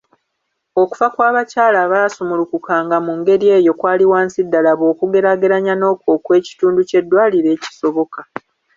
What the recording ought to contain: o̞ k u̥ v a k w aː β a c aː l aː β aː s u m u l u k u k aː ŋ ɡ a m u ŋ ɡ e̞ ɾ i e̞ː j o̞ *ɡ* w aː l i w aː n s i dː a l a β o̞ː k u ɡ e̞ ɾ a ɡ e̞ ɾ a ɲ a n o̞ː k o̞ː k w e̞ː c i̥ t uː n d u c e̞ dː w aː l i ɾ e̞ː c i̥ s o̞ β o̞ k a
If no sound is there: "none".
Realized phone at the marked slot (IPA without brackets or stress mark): k